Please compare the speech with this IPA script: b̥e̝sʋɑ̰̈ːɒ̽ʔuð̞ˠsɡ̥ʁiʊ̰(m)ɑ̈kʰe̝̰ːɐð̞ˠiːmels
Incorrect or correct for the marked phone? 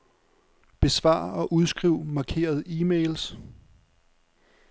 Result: correct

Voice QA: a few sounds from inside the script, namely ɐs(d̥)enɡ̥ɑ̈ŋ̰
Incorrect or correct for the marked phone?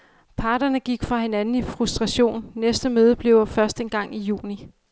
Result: correct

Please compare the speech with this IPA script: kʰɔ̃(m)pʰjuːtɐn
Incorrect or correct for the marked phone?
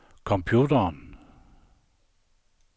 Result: correct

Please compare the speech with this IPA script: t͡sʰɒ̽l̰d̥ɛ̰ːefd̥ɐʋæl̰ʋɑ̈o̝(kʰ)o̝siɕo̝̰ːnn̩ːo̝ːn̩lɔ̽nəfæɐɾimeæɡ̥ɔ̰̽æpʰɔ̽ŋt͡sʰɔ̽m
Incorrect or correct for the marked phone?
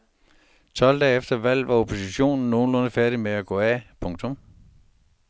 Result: incorrect: pʰ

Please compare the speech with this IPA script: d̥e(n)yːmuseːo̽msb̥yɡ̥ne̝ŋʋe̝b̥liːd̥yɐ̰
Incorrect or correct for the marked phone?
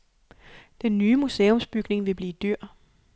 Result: incorrect: nː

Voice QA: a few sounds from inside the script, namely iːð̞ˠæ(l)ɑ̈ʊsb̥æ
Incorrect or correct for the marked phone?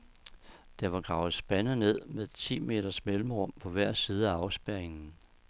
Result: incorrect: none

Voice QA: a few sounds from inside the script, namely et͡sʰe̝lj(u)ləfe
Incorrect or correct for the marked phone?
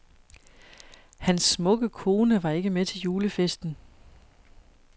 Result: incorrect: uː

